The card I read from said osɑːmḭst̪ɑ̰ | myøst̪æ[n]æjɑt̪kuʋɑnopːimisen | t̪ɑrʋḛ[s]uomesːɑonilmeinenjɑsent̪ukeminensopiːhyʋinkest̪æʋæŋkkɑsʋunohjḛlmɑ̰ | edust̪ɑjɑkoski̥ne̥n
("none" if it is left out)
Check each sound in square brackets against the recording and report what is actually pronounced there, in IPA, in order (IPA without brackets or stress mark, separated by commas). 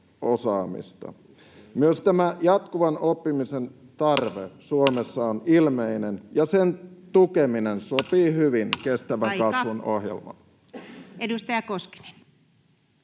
m, s